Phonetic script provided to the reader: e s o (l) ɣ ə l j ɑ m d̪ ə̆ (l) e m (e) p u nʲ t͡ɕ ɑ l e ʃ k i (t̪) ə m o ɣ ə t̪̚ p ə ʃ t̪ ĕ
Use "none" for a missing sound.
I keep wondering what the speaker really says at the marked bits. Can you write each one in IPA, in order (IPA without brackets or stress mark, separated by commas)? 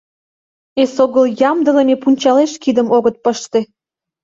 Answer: none, l, e, d̪